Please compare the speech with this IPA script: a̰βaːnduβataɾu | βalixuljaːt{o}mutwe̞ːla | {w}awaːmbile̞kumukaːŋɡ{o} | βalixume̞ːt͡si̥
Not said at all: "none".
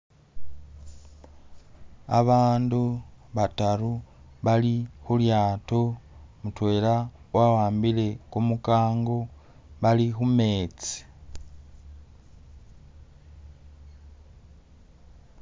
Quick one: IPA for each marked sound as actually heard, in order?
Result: o, w, o

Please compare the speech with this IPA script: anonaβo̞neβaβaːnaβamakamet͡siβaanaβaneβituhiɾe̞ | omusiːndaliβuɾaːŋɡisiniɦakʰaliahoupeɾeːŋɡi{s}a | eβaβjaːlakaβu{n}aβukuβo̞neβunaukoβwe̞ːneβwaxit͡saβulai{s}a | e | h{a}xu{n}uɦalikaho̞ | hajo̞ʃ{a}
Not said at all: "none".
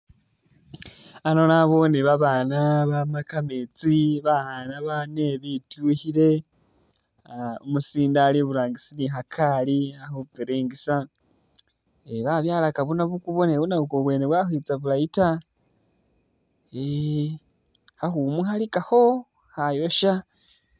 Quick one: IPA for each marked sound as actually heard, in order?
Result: s, n, t, a, m, a

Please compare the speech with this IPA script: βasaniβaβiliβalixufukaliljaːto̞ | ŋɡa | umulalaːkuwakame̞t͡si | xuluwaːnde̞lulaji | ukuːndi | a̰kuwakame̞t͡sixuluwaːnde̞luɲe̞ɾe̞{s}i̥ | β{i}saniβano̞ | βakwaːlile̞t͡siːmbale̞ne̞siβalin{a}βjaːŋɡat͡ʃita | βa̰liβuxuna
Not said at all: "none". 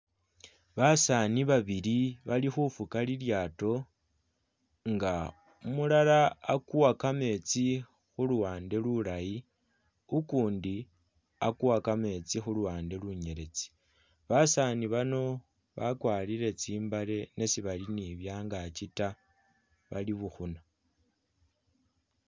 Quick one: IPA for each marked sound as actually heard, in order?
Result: t͡s, a, i

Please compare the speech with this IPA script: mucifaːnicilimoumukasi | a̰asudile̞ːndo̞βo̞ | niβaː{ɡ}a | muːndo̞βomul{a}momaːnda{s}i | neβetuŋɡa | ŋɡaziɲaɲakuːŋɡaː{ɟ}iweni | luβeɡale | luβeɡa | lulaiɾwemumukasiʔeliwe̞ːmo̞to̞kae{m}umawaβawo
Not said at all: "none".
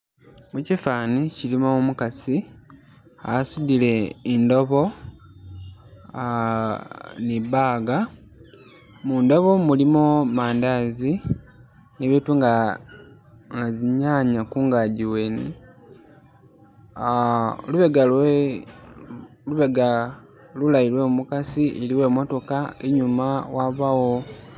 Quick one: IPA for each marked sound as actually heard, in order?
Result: ɡ, i, z, ɟ, ɲ

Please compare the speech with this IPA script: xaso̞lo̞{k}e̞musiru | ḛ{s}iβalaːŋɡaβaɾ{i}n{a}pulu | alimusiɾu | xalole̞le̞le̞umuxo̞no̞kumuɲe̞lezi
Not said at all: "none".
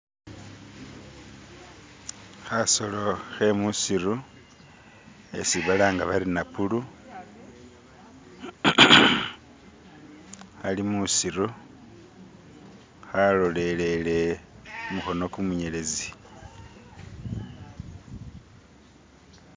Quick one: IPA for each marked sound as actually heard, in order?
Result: x, s, i, a

